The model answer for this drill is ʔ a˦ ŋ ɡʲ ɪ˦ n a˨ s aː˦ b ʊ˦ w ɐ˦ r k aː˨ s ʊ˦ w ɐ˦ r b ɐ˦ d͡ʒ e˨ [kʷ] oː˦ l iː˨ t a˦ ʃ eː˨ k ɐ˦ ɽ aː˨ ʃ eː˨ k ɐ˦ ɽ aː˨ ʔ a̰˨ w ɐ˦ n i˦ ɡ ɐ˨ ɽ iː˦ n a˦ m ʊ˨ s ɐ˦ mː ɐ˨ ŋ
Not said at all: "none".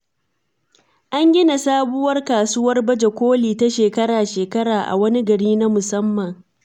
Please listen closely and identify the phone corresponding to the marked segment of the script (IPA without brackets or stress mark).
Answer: kʷ